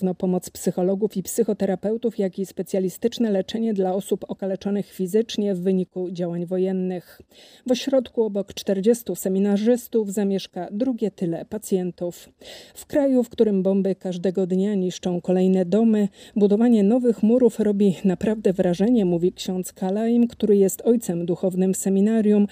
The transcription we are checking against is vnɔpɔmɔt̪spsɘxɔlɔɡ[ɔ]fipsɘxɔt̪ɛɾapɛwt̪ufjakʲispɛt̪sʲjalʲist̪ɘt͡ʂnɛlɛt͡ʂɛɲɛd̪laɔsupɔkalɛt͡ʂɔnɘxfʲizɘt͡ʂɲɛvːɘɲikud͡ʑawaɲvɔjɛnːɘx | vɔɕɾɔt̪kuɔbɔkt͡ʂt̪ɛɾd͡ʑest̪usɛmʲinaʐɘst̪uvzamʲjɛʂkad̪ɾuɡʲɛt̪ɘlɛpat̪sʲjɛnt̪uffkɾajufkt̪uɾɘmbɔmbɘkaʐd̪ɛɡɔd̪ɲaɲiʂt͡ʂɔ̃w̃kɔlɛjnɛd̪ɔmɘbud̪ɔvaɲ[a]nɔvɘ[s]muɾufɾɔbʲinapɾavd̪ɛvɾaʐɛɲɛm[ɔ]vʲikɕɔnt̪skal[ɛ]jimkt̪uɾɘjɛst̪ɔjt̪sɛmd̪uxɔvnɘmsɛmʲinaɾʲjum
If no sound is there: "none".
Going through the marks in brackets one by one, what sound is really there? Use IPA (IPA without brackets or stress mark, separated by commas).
u, ɛ, x, u, a